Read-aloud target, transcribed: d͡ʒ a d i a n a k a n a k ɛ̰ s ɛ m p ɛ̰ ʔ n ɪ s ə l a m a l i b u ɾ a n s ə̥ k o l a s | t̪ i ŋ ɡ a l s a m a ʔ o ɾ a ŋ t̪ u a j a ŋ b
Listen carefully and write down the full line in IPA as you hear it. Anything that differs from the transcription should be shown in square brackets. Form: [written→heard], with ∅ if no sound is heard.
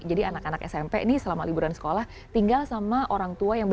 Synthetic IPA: d͡ʒ a d i a n a k a n a k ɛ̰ s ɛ m p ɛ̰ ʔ n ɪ s ə l a m a l i b u ɾ a n s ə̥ k o l a [s→h] | t̪ i ŋ ɡ a l s a m a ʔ o ɾ a ŋ t̪ u a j a ŋ b